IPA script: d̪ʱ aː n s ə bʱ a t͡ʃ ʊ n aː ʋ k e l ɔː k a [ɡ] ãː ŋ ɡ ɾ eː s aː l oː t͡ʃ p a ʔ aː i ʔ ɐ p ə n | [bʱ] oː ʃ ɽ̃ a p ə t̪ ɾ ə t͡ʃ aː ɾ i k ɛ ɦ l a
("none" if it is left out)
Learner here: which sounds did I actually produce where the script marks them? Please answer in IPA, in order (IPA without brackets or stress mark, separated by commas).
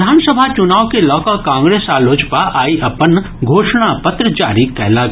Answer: k, ɡʱ